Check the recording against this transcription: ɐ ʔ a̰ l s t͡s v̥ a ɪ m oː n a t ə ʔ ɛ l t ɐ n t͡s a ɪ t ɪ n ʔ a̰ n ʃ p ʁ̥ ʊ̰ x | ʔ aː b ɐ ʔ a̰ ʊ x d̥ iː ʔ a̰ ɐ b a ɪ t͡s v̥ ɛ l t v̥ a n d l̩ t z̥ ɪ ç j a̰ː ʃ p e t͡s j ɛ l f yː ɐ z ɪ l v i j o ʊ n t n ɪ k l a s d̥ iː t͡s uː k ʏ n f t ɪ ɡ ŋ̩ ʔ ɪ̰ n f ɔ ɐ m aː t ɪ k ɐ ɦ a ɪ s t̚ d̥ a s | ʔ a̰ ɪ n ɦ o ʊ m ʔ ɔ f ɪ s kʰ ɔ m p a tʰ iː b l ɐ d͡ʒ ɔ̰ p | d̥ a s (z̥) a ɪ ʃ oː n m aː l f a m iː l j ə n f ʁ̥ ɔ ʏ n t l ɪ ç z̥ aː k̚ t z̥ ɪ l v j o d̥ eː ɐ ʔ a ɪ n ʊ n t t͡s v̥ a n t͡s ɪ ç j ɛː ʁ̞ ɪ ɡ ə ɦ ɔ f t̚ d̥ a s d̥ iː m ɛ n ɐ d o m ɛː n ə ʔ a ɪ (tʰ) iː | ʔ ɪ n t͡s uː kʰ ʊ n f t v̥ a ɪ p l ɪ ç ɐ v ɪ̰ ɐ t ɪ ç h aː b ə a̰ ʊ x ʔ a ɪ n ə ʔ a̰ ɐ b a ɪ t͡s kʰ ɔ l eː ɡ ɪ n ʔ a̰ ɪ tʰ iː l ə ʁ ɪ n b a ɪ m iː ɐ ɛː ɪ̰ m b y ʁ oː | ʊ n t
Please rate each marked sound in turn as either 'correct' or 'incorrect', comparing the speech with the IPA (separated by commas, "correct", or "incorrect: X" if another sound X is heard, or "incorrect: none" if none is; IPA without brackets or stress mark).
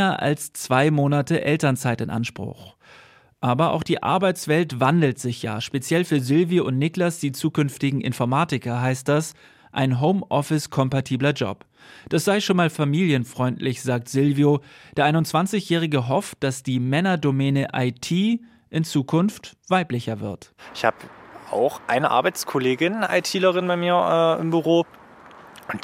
correct, correct